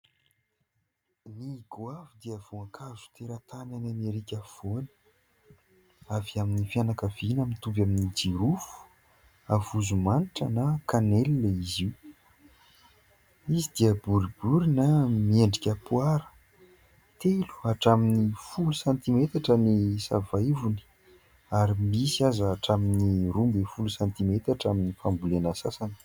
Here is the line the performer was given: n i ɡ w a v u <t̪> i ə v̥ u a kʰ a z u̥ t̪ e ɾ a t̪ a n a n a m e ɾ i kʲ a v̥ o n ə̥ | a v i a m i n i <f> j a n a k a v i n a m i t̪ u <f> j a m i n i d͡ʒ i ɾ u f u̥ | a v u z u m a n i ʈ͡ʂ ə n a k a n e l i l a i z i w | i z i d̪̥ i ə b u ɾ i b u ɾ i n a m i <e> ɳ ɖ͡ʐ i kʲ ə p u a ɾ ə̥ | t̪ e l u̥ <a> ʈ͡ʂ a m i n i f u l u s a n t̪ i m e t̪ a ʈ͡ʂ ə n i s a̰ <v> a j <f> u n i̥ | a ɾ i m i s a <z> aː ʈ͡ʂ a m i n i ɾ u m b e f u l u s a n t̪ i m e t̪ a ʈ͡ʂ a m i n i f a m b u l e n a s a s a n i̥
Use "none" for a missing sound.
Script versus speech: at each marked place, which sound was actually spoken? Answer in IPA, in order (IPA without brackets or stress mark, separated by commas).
d̪, f, v, e, a, v, v, z